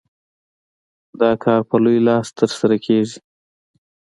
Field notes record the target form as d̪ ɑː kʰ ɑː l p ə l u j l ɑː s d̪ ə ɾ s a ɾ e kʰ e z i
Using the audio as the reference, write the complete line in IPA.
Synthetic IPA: d̪ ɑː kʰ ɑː ɾ p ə l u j l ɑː s t̪ ə ɾ s a ɾ a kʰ e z i